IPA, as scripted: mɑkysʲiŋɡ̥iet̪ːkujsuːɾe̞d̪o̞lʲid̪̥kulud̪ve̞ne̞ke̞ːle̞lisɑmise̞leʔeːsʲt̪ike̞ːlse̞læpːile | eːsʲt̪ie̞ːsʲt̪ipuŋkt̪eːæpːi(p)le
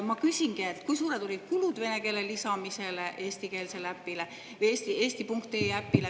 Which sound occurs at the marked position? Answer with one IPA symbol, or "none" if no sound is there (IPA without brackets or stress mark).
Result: none